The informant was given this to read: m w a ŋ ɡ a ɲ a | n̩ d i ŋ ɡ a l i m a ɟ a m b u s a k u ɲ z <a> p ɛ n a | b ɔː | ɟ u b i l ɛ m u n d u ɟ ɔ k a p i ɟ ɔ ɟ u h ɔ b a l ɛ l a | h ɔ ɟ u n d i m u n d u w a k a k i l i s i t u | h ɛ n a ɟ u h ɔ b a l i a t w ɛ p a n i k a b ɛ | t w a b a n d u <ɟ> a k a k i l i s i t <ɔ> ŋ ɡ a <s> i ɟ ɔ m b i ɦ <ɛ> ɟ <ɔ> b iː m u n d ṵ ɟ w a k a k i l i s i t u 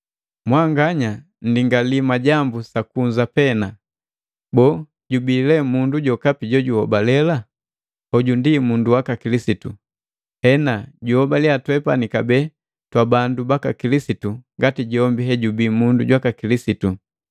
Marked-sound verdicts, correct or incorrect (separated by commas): correct, incorrect, incorrect, incorrect, correct, incorrect